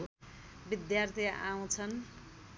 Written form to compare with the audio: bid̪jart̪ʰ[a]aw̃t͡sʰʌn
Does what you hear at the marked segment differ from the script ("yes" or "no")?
yes